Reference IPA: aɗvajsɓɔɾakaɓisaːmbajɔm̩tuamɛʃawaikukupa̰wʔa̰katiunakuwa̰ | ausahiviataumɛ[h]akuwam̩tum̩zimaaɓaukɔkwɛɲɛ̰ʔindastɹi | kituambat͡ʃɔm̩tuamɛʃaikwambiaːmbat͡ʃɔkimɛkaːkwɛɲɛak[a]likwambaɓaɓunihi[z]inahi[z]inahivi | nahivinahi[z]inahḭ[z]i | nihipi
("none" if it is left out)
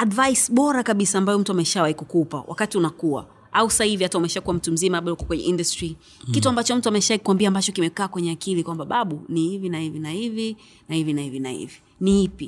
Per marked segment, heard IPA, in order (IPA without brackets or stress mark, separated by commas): ʃ, i, v, v, v, v